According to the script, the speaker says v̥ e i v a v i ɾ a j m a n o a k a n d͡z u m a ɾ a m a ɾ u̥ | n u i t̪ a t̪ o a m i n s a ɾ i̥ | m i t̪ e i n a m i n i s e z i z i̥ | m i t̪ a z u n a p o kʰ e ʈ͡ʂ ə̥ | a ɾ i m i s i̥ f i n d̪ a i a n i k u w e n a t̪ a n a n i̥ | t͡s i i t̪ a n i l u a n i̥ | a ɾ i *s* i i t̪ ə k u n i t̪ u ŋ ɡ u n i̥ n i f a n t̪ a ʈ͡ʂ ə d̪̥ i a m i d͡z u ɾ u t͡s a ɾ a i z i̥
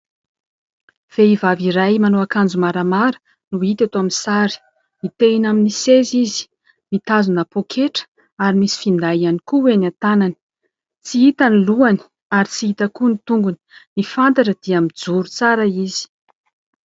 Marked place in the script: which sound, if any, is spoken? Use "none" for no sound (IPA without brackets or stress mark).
t͡s